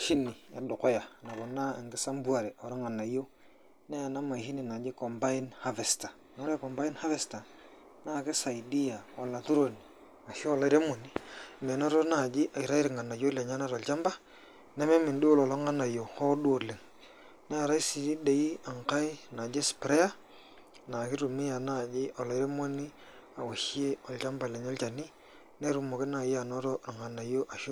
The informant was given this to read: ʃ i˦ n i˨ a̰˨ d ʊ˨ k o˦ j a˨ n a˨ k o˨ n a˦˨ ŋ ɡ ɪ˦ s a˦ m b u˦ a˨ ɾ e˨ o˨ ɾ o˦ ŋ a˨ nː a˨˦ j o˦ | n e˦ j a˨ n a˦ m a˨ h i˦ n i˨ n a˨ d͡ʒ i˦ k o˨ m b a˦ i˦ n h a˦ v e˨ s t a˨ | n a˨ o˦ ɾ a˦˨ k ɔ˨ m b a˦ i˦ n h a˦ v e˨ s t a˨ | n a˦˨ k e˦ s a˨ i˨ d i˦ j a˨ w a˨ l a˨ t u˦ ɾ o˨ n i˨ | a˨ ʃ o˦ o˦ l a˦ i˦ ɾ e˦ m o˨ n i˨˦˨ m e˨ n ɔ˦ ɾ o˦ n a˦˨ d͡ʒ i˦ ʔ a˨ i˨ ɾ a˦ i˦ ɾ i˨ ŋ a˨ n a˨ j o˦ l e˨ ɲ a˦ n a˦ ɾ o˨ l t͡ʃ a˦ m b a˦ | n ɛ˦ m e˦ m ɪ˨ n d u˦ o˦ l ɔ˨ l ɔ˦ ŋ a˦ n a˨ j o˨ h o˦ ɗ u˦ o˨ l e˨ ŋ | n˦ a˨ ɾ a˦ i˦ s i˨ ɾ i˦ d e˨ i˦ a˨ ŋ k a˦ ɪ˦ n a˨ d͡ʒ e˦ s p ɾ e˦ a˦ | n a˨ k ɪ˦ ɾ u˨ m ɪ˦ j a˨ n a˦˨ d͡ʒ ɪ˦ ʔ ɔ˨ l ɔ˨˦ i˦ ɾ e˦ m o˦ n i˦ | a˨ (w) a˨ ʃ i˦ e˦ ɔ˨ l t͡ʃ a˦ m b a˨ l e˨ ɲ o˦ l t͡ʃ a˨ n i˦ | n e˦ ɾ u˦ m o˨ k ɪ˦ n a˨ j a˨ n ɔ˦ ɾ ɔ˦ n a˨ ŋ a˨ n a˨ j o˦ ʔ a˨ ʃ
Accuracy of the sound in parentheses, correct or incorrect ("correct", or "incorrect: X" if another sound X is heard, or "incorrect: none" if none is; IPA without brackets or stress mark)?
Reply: correct